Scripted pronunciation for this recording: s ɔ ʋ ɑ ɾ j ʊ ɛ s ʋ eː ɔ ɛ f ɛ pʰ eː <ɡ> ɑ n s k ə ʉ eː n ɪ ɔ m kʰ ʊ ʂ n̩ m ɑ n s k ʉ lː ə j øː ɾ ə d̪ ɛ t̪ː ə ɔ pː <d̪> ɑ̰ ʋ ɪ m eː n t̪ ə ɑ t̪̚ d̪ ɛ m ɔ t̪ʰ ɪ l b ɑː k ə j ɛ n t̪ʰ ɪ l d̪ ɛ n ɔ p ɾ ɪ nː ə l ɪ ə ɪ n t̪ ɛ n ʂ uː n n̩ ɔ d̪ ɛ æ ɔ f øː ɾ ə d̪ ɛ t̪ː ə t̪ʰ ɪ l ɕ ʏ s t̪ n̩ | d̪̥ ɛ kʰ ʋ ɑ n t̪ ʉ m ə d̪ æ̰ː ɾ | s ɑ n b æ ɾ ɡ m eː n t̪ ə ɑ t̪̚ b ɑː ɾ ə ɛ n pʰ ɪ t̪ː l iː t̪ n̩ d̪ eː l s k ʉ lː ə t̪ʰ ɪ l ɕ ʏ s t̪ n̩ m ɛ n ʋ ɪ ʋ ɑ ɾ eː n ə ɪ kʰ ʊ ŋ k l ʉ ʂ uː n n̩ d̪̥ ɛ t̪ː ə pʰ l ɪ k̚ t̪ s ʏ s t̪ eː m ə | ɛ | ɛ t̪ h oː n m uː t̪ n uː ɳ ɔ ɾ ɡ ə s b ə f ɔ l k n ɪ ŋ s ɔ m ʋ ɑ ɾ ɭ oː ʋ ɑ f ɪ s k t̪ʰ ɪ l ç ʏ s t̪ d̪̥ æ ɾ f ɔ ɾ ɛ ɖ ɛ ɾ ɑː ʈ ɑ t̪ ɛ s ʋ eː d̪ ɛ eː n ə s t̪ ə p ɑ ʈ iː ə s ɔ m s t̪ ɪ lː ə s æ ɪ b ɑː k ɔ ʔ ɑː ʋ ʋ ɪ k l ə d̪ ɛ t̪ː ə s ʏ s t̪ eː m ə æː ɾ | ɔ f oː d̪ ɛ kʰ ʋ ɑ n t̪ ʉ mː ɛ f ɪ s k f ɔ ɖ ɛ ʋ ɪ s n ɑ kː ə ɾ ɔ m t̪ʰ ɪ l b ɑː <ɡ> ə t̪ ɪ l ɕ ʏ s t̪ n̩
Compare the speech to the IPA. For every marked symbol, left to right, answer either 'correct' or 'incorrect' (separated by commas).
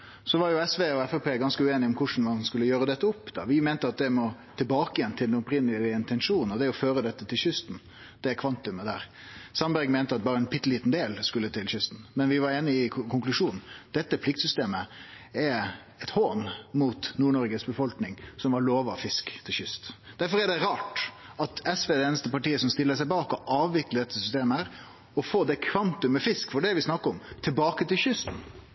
correct, correct, incorrect